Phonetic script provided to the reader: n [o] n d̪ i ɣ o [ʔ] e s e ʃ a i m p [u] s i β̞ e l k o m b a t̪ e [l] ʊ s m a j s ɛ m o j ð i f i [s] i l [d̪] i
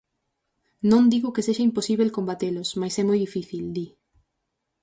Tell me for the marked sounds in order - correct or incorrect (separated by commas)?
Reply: incorrect, incorrect, incorrect, correct, incorrect, correct